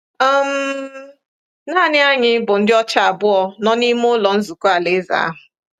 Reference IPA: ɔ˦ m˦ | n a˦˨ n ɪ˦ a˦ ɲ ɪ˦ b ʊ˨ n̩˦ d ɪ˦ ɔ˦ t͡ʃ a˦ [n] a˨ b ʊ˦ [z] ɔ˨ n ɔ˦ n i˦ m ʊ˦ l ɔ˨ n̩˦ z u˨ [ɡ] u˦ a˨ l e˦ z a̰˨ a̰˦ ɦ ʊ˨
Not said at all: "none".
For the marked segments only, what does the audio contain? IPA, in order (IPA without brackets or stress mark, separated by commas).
none, none, k